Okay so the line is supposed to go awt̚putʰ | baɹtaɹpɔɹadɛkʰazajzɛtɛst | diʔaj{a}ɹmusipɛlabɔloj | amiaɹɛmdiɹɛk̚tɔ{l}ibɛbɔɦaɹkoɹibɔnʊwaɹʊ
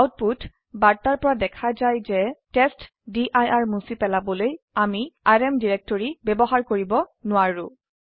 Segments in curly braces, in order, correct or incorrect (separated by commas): correct, incorrect